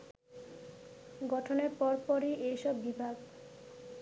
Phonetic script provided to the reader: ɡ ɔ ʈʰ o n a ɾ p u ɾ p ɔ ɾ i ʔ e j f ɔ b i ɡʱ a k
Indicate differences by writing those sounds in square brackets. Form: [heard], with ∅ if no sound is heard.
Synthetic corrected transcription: ɡ ɔ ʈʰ o n [e] ɾ p [ɔ] ɾ p ɔ ɾ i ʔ e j [ʃ] ɔ [bː] i [bʱ] a [ɡ]